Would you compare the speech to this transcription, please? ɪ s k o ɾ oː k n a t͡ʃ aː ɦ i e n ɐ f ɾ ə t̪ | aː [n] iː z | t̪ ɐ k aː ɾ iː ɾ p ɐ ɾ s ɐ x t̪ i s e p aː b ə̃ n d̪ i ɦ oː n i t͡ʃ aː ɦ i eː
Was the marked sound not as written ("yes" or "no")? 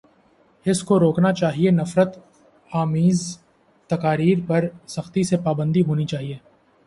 yes